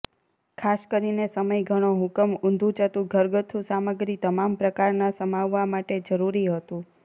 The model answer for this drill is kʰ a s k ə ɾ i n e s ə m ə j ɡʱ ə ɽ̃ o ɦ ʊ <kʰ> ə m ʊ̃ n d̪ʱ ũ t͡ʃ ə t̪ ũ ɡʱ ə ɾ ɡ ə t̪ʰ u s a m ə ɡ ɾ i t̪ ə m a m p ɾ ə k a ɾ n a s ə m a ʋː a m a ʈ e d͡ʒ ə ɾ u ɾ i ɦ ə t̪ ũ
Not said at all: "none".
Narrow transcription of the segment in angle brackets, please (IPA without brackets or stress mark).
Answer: k